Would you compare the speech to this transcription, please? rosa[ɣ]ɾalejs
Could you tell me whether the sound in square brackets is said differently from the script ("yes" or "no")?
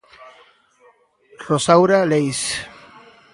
yes